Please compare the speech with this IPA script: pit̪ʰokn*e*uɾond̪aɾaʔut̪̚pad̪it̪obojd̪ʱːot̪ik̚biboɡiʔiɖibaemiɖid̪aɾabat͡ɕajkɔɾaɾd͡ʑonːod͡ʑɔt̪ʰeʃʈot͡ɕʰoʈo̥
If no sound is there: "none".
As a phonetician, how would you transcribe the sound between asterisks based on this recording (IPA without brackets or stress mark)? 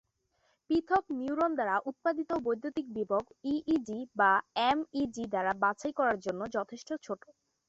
i